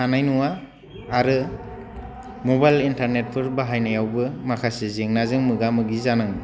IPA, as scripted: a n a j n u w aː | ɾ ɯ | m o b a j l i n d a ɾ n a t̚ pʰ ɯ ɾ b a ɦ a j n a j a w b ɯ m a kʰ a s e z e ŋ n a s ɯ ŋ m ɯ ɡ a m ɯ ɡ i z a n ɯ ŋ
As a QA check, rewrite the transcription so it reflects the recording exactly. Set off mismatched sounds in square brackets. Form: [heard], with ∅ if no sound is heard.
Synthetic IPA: a n a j n u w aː | ɾ ɯ | m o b a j l i n [t] a ɾ n [e] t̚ pʰ ɯ ɾ b a ɦ a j n a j a w b ɯ m a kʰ a s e z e ŋ n a [z] ɯ ŋ m ɯ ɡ a m ɯ ɡ i z a n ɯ ŋ